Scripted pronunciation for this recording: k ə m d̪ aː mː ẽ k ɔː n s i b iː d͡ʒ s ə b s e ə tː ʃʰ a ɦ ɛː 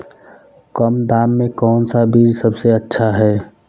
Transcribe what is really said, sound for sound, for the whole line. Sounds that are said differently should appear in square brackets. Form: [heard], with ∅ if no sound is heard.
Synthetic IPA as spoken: k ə m d̪ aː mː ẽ k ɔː n s [a] b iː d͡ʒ s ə b s e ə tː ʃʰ a ɦ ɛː